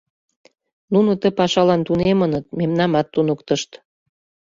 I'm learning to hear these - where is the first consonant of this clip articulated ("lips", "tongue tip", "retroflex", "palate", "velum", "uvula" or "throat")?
tongue tip